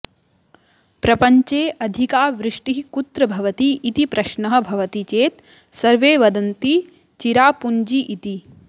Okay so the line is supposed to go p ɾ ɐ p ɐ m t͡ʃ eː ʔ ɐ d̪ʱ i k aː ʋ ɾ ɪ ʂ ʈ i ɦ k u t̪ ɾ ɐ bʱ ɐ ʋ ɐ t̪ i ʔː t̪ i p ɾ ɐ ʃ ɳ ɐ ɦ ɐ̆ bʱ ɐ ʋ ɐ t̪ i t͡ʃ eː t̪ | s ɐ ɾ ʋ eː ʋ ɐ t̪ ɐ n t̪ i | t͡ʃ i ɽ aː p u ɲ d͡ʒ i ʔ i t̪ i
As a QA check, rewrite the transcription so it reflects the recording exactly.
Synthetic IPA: p ɾ ɐ p ɐ ɲ t͡ʃ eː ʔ ɐ d̪ʱ i k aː ʋ ɾ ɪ ʂ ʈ i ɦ k u t̪ ɾ ɐ bʱ ɐ ʋ ɐ t̪ i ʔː t̪ i p ɾ ɐ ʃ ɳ ɐ ɦ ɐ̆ bʱ ɐ ʋ ɐ t̪ i t͡ʃ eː t̪ | s ɐ ɾ ʋ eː ʋ ɐ d̪ ɐ n t̪ i | t͡ʃ i ɾ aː p u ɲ d͡ʒ i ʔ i t̪ i

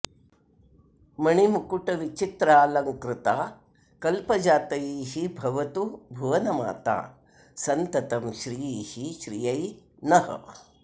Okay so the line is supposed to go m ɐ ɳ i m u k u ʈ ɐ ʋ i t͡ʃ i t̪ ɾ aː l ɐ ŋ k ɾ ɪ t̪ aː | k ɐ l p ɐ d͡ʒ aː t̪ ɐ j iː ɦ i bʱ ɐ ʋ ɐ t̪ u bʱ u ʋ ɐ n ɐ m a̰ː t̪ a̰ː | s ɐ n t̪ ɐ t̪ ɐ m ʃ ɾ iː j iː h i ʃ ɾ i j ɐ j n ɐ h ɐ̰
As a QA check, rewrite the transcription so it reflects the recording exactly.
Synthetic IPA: m ɐ ɳ i m u k u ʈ ɐ ʋ i t͡ʃ i t̪ ɾ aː l ɐ ŋ k ɾ ɪ t̪ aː | k ɐ l p ɐ d͡ʒ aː t̪ ɐ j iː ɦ i bʱ ɐ ʋ ɐ t̪ u bʱ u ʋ ɐ n ɐ m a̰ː t̪ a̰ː | s ɐ n t̪ ɐ t̪ ɐ m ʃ ɾ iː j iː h i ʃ ɾ i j ɐ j n ɐ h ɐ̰

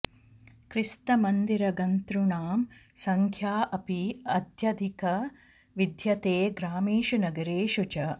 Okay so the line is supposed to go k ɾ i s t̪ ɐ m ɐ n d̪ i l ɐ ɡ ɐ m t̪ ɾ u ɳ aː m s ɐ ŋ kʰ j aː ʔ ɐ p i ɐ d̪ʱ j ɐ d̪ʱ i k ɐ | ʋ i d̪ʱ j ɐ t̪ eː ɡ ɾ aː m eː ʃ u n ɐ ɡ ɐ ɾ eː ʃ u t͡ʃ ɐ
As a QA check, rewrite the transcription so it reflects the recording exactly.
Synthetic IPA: k ɾ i s t̪ ɐ m ɐ n d̪ i ɾ ɐ ɡ ɐ n t̪ ɾ u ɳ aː m s ɐ ŋ kʰ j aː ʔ ɐ p i ɐ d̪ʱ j ɐ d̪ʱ i k ɐ | ʋ i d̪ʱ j ɐ t̪ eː ɡ ɾ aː m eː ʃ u n ɐ ɡ ɐ ɾ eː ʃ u t͡ʃ ɐ

